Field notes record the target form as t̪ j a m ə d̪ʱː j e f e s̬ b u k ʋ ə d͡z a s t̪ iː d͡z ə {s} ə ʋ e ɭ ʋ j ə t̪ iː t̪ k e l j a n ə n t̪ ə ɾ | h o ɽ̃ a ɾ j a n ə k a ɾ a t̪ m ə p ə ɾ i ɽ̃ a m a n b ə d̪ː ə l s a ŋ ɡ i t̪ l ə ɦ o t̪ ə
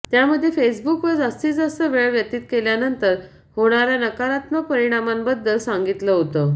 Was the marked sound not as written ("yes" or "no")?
no